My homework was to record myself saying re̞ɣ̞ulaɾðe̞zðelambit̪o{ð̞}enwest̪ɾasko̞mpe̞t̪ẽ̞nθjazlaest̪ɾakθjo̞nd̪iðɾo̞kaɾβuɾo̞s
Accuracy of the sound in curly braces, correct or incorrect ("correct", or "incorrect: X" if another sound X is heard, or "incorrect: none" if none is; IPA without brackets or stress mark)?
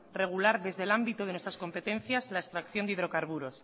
correct